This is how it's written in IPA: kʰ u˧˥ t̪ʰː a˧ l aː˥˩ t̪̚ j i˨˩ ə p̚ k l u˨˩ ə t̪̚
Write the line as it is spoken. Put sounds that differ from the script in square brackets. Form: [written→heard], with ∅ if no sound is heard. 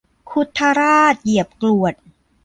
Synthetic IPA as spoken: kʰ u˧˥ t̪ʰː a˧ [l→ɾ] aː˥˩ t̪̚ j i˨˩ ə p̚ k l u˨˩ ə t̪̚